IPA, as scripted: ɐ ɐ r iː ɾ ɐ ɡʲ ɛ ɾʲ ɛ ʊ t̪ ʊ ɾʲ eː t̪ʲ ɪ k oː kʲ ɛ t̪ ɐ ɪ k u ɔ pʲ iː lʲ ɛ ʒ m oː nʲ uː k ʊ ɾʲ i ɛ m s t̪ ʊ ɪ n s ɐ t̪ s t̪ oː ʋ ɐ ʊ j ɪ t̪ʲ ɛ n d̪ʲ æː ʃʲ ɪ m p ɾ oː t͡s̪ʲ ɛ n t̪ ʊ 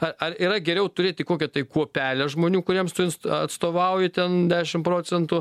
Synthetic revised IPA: ɐ ɐ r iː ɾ ɐ ɡʲ ɛ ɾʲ ɛ ʊ t̪ ʊ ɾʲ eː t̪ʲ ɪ k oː kʲ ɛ t̪ ɐ ɪ k u ɔ pʲ æː lʲ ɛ ʒ m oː nʲ uː k ʊ ɾʲ i ɛ m s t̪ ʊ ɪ n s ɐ t̪ s t̪ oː ʋ ɐ ʊ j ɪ t̪ʲ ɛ n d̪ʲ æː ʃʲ ɪ m p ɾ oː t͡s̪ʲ ɛ n t̪ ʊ